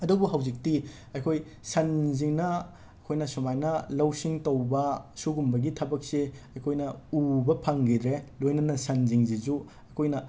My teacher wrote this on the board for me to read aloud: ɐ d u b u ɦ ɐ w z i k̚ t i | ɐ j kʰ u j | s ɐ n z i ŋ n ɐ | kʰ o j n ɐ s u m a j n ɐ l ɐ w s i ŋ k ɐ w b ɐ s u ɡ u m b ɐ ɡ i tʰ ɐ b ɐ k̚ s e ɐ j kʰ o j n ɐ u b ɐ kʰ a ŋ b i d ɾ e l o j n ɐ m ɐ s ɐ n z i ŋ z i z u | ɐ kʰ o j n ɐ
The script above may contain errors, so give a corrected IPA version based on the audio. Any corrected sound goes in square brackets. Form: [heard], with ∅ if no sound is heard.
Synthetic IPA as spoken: ɐ d u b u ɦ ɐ w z i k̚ t i | ɐ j kʰ [o] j | s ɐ n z i ŋ n ɐ | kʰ o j n ɐ s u m a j n ɐ l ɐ w s i ŋ [t] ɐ w b ɐ s u ɡ u m b ɐ ɡ i tʰ ɐ b ɐ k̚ s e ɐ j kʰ o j n ɐ u b ɐ [pʰ] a ŋ [ɡ] i d ɾ e l o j n ɐ [n] ɐ s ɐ n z i ŋ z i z u | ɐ kʰ o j n ɐ